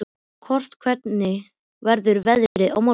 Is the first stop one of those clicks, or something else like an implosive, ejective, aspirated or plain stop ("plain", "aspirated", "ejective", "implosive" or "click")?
aspirated